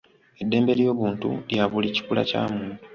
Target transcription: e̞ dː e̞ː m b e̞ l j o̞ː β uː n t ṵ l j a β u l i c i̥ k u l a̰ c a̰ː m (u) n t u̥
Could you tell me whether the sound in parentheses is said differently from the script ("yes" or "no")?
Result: yes